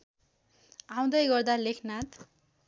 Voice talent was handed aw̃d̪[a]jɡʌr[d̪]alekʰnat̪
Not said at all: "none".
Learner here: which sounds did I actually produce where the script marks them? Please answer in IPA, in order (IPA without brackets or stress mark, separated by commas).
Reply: ʌ, d̪